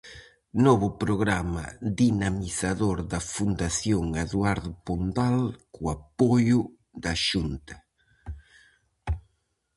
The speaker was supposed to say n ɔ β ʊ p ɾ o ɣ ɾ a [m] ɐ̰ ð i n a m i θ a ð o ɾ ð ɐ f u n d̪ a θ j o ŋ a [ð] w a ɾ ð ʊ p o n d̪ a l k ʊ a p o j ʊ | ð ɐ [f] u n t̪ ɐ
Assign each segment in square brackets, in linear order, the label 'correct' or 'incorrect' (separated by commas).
correct, correct, incorrect